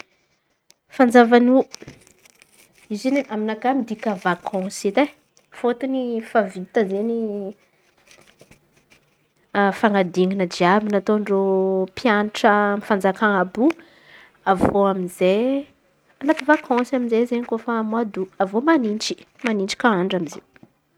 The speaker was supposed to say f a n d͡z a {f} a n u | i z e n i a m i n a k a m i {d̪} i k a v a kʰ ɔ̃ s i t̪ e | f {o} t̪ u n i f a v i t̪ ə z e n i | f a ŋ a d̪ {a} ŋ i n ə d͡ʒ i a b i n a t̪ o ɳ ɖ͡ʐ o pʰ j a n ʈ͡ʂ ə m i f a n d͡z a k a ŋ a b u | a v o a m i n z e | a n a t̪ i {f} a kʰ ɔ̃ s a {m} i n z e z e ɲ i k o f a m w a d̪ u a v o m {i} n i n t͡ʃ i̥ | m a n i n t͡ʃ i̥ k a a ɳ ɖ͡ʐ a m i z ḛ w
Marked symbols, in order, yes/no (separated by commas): no, yes, yes, no, no, yes, no